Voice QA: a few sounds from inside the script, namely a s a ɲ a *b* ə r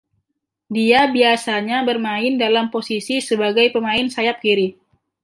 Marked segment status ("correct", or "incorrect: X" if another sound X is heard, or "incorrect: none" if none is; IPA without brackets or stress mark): correct